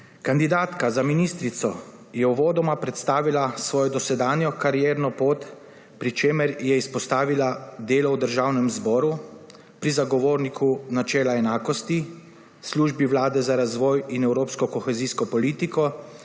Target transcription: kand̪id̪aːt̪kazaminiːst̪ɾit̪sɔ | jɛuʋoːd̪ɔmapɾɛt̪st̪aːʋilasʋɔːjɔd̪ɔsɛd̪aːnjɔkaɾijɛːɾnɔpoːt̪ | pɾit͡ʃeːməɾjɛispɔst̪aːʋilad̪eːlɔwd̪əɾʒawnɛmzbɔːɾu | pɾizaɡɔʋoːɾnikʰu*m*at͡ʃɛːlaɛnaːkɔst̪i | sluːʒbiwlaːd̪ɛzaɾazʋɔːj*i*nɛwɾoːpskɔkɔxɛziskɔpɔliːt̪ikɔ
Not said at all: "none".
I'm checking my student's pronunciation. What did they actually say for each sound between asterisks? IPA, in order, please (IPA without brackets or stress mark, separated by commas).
n, i